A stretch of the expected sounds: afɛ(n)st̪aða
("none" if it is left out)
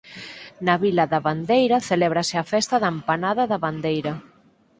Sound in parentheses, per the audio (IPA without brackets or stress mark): none